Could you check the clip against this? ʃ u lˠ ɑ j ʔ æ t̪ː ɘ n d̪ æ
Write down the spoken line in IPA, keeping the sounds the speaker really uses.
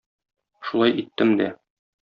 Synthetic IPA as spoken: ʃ u lˠ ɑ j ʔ i t̪ː ɘ m d̪ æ